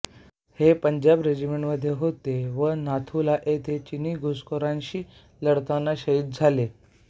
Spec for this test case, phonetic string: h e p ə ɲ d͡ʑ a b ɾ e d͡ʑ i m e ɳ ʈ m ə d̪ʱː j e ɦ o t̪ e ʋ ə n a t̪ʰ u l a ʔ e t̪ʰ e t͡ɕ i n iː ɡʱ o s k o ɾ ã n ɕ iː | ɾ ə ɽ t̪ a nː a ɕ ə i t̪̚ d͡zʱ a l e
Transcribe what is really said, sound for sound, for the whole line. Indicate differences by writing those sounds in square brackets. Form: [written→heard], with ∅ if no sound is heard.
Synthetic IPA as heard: h e p ə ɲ d͡ʑ a b ɾ e d͡ʑ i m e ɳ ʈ m ə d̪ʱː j e ɦ o t̪ e ʋ ə n a t̪ʰ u l a ʔ e t̪ʰ e t͡ɕ i n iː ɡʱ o s k o ɾ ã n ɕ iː | [ɾ→l] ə ɽ t̪ a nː a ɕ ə i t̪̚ d͡zʱ a l e

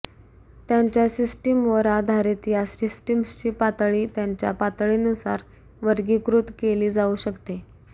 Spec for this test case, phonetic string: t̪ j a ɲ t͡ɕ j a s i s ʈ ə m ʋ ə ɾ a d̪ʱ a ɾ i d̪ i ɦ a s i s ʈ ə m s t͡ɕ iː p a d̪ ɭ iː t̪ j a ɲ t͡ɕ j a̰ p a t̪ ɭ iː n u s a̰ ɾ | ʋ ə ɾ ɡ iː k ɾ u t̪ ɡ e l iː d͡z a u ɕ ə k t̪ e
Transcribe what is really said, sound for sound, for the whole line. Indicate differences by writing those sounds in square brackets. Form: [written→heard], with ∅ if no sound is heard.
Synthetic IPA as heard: t̪ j a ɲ t͡ɕ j a s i s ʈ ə m ʋ ə ɾ a d̪ʱ a ɾ i [d̪→t̪] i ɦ a s i s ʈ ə m s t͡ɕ iː p a [d̪→t̪] ɭ iː t̪ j a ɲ t͡ɕ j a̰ p a t̪ ɭ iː n u s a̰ ɾ | ʋ ə ɾ ɡ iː k ɾ u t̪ [ɡ→k] e l iː d͡z a u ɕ ə k t̪ e

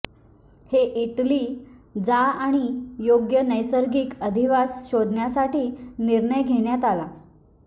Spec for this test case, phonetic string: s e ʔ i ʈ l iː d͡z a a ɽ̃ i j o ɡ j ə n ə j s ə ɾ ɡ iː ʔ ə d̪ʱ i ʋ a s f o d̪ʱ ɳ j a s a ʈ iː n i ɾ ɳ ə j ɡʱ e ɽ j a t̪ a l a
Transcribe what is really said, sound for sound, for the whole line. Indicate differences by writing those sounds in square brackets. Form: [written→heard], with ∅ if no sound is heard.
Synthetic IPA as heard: [s→h] e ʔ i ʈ l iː d͡z a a ɽ̃ i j o ɡ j ə n ə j s ə ɾ ɡ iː [ʔ→k] ə d̪ʱ i ʋ a s [f→ɕ] o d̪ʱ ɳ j a s a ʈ iː n i ɾ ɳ ə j ɡʱ e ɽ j a t̪ a l a

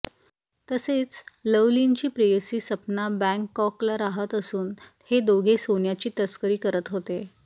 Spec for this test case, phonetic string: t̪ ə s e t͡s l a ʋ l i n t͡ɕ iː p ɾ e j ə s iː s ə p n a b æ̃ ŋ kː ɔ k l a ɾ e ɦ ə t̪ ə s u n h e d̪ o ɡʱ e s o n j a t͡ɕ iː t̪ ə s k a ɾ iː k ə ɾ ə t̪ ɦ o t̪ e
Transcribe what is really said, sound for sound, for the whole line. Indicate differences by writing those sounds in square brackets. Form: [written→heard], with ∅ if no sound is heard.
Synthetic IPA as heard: t̪ ə s e t͡s l [a→ə] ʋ l i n t͡ɕ iː p ɾ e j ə s iː s ə p n a b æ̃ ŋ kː ɔ k l a ɾ [e→a] ɦ ə t̪ ə s [u→uː] n h e d̪ o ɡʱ e s o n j a t͡ɕ iː t̪ ə s k [a→ə] ɾ iː k ə ɾ ə t̪ ɦ o t̪ e

